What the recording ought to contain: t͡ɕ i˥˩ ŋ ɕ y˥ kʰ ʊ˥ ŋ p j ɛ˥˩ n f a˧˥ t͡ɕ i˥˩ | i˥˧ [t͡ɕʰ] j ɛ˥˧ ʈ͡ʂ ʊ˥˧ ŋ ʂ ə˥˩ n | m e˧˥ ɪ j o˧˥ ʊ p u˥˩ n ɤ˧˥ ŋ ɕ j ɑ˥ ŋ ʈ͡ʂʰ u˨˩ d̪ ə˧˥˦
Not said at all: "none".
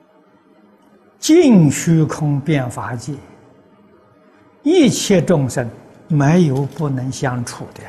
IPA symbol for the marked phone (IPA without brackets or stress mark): t͡ɕʰ